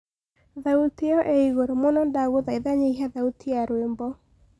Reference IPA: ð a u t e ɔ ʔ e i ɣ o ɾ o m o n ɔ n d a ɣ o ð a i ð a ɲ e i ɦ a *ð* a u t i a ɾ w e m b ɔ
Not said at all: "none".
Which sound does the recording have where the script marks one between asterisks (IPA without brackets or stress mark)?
ð